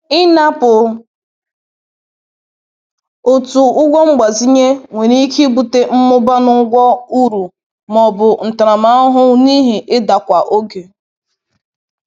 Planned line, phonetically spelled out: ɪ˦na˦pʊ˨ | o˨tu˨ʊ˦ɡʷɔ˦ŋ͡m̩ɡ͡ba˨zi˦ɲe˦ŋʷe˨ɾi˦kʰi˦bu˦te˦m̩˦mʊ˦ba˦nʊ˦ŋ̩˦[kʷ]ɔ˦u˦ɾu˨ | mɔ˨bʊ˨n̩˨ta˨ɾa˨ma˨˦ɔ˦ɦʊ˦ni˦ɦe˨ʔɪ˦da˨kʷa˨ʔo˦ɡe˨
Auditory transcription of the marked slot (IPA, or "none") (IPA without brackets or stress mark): ɡʷ